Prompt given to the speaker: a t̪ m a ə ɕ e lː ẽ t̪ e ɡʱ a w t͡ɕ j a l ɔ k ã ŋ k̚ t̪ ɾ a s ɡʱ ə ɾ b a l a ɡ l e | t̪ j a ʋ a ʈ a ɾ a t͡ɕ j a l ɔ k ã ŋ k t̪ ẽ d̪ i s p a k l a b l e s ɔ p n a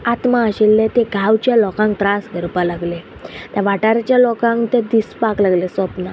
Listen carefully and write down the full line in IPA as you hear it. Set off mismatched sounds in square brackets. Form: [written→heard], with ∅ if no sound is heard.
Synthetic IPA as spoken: a t̪ m a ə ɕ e lː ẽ t̪ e ɡʱ a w t͡ɕ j a l ɔ k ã ŋ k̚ t̪ ɾ a s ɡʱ ə ɾ [b→p] a l a ɡ l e | t̪ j a ʋ a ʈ a ɾ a t͡ɕ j a l ɔ k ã ŋ k t̪ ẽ d̪ i s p a k l a [b→ɡ] l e s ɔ p n a